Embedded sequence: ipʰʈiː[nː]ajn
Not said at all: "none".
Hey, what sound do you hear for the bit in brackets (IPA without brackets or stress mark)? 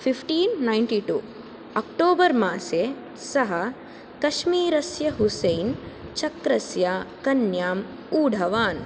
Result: nː